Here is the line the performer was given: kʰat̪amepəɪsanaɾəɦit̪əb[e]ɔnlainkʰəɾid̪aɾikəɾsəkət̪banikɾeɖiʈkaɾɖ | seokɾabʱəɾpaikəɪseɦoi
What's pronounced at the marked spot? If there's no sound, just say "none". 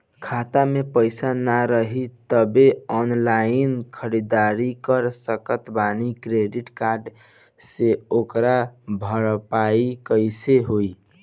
e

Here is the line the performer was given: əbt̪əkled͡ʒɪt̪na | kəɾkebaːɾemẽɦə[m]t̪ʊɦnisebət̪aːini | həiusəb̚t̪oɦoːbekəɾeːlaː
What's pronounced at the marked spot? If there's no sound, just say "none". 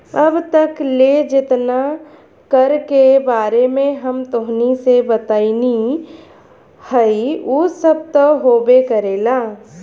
m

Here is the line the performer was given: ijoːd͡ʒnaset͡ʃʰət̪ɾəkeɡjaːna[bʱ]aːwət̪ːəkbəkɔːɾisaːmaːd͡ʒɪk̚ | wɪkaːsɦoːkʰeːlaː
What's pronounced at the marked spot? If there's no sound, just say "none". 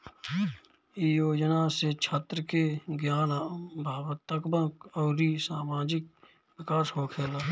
bʱ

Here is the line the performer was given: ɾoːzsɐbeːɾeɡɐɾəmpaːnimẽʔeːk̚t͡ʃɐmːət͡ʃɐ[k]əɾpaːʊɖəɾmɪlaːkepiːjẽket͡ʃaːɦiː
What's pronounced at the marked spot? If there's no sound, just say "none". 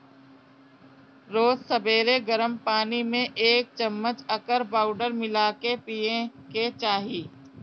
k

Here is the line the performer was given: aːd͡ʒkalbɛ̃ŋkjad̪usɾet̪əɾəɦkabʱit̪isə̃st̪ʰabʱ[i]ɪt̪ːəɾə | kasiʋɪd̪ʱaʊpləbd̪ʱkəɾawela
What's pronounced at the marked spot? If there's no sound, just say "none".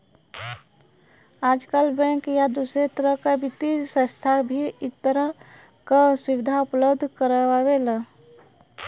i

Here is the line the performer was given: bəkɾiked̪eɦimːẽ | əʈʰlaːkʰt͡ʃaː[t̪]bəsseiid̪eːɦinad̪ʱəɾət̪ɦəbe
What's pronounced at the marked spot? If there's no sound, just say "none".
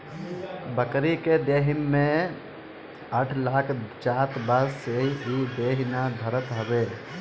t̪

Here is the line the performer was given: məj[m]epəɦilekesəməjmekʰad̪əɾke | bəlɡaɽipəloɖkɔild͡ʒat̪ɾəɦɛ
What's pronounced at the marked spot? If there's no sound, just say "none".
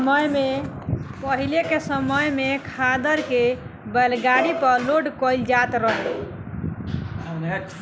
m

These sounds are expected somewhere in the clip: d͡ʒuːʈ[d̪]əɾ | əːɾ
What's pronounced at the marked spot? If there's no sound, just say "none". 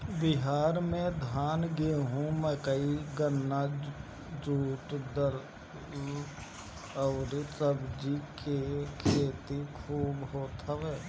d̪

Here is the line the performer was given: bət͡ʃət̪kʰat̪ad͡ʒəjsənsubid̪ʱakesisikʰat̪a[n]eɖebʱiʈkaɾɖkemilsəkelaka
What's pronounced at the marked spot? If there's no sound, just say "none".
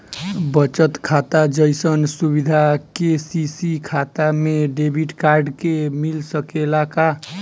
m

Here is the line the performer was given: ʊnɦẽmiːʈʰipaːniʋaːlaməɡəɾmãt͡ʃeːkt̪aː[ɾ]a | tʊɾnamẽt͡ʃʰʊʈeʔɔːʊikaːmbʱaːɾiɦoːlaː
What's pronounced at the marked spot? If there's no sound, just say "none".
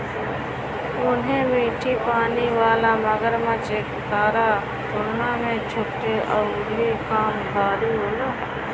ɾ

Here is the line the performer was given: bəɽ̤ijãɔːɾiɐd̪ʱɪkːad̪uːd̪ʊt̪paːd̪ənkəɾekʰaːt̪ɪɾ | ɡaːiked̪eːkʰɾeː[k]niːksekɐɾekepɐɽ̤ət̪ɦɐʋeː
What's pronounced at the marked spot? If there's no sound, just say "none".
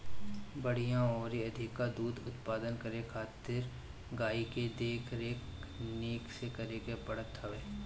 k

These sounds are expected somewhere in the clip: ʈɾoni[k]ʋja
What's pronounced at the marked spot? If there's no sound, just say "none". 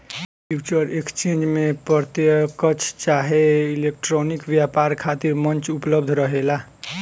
k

